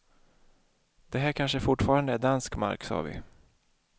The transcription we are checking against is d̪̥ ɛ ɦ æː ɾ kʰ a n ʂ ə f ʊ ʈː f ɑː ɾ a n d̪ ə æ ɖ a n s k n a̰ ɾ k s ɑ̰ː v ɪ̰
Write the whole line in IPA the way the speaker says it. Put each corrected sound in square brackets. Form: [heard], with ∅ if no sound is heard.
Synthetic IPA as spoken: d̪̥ ɛ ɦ æː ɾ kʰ a n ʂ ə f ʊ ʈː f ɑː ɾ a n d̪ ə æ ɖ a n s k [m] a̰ ɾ k s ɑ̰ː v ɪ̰